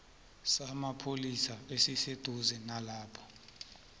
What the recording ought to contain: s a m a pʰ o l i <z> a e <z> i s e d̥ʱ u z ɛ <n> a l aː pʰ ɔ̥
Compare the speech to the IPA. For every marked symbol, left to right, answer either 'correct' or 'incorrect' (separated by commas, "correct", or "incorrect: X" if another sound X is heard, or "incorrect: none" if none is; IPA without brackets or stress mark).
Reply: incorrect: s, incorrect: s, correct